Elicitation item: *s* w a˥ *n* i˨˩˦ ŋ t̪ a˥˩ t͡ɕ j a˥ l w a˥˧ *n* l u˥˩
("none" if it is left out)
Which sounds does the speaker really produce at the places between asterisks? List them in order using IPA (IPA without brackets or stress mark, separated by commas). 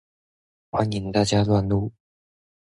x, n, n